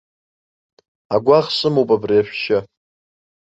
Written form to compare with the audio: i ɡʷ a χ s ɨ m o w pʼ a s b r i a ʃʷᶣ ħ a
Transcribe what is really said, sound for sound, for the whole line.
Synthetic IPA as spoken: a ɡʷ a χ s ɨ m o w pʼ a b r i a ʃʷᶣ ʃ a